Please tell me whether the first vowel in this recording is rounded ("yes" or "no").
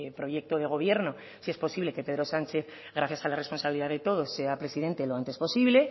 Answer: yes